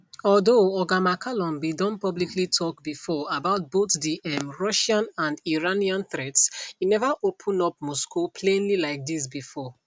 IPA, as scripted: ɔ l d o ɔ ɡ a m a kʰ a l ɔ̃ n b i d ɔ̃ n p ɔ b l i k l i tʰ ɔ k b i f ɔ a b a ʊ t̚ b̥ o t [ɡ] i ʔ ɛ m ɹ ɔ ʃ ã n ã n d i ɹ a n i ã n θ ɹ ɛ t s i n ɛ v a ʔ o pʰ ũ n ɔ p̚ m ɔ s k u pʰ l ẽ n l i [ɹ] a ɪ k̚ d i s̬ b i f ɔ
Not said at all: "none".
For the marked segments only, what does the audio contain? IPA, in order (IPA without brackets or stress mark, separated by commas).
d, l